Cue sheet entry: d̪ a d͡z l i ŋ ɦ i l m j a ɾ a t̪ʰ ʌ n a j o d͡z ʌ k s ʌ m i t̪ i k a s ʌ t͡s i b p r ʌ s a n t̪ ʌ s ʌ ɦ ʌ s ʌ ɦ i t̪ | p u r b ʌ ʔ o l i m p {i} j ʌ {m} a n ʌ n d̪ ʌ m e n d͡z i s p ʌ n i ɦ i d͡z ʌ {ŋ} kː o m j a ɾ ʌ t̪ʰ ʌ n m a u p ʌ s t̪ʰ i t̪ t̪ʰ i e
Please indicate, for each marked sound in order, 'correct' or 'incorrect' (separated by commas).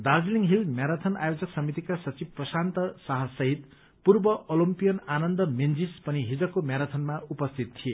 correct, incorrect, incorrect